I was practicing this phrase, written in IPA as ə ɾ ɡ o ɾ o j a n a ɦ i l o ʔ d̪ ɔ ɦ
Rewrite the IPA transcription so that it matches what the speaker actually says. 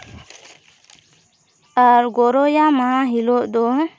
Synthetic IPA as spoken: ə ɾ ɡ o ɾ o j a m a ɦ i l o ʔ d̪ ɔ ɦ